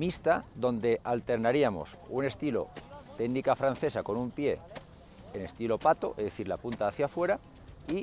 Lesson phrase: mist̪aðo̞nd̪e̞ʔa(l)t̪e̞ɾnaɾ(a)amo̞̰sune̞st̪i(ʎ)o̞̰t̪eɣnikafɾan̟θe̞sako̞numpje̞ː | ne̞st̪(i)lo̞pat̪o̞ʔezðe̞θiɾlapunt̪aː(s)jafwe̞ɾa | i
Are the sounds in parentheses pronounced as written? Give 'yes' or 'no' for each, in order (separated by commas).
yes, no, no, yes, no